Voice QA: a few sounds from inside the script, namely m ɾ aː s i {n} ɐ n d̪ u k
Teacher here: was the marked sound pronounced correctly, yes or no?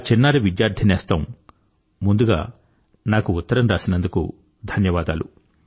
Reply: yes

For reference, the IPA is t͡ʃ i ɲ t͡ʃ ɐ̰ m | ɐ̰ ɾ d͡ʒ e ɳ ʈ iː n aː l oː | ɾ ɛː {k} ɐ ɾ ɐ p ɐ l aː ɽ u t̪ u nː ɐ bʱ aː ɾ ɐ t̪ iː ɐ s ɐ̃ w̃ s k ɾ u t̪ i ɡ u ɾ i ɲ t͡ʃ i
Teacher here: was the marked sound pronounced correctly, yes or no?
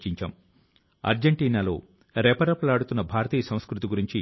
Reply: no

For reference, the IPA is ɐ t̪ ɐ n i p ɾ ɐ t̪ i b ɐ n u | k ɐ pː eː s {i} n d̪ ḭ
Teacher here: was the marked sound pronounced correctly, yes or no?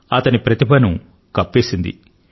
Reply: yes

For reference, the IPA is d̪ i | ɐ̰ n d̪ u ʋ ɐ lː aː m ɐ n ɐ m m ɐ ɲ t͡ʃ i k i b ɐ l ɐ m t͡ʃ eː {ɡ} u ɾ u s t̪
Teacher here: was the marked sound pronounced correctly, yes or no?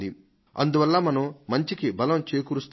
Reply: no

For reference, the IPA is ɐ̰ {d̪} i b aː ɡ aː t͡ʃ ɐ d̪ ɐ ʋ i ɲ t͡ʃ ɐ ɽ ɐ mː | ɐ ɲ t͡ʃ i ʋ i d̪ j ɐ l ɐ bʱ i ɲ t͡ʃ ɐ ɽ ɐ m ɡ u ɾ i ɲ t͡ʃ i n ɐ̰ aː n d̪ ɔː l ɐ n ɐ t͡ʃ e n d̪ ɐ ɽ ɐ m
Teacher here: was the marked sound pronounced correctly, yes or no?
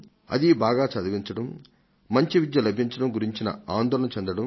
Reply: yes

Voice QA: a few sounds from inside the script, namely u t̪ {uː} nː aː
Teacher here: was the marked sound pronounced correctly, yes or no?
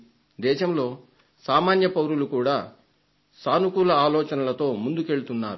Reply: no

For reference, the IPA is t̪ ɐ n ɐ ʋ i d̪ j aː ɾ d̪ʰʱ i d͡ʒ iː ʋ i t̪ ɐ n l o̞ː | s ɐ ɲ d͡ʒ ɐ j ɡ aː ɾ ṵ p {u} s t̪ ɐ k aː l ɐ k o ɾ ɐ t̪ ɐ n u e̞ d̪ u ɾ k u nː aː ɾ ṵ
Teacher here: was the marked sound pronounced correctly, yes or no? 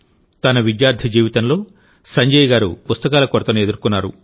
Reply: yes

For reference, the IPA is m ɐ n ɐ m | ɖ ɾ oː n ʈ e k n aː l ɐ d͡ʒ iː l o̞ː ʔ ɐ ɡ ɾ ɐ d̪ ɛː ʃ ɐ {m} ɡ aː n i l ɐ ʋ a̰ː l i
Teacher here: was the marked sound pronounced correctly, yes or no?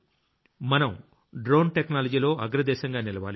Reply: no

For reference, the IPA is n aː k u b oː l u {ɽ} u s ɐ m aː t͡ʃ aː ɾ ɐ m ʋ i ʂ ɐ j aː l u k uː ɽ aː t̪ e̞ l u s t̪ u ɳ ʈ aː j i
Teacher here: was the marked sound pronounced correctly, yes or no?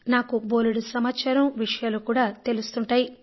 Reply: yes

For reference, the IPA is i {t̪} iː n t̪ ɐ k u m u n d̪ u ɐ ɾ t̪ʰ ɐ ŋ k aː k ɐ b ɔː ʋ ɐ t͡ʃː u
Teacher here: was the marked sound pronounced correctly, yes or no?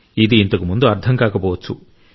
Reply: no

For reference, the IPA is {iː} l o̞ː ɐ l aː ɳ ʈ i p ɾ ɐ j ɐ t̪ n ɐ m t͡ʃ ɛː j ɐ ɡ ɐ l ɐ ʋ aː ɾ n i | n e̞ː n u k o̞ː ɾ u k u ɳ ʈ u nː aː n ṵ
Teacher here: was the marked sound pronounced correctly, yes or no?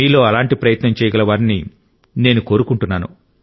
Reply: yes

